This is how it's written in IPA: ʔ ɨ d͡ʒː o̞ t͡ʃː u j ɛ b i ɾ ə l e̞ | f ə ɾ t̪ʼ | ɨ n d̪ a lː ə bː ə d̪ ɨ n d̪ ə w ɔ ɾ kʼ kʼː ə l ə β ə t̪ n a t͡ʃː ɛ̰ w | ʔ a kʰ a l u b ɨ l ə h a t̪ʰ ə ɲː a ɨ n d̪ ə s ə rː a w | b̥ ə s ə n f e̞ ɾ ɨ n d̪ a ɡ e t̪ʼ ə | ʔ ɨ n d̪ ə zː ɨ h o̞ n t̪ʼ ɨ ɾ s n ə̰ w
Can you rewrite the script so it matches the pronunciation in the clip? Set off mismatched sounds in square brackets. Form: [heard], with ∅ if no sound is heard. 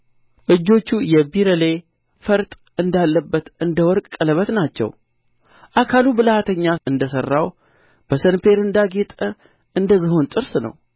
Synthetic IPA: ʔ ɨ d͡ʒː o̞ t͡ʃː u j ɛ b i ɾ ə l e̞ | f ə ɾ t̪ʼ | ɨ n d̪ a lː ə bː ə [t̪] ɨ n d̪ ə w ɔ ɾ kʼ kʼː ə l ə β ə t̪ n a t͡ʃː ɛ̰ w | ʔ a kʰ a l u b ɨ l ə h a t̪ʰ ə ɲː a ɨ n d̪ ə s ə rː a w | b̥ ə s ə n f e̞ ɾ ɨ n d̪ a ɡ e t̪ʼ ə | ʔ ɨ n d̪ ə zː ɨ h o̞ n t̪ʼ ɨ ɾ s n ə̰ w